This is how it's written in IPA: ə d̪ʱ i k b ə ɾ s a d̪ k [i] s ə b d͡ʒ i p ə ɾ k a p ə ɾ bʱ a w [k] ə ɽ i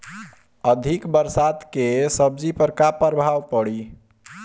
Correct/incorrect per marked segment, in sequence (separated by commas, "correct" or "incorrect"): incorrect, incorrect